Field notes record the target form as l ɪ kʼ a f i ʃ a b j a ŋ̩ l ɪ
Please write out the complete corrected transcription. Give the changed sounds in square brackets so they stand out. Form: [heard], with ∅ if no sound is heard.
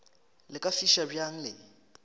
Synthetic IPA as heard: l ɪ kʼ a f i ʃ a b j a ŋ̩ l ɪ